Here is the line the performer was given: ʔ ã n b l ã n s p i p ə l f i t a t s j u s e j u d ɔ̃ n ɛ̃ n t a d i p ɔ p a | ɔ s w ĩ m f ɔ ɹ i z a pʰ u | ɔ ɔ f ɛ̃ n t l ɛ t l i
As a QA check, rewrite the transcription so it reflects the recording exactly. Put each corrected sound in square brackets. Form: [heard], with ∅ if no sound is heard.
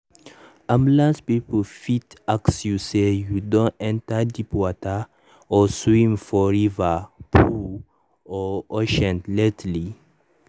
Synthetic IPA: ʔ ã [m] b l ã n s p i p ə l f i t a [k] s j u s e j u d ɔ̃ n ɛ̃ n t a d i p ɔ [t] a | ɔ s w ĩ m f ɔ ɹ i [v] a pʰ u | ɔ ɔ [ʃ] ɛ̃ n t l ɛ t l i